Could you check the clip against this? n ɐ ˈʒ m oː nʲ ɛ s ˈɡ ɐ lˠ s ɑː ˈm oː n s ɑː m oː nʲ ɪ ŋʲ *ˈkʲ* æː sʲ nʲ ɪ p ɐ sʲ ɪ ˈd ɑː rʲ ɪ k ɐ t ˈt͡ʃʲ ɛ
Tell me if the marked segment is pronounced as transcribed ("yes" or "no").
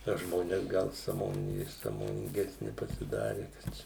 no